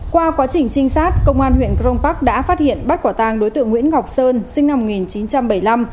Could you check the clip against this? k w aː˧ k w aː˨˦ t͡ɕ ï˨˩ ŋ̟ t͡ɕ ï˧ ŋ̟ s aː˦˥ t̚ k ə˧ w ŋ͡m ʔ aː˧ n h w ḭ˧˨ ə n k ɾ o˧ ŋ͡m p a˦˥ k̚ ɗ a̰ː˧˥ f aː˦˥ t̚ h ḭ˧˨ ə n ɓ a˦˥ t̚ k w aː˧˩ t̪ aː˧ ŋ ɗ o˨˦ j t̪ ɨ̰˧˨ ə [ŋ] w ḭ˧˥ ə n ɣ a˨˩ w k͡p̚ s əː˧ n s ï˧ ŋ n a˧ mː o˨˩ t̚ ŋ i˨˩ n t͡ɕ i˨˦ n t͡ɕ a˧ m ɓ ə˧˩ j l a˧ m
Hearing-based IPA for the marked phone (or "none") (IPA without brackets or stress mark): ŋ